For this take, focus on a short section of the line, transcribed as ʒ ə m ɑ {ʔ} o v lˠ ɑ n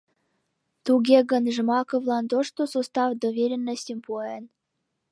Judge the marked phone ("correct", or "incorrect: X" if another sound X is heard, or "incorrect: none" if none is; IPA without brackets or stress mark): incorrect: k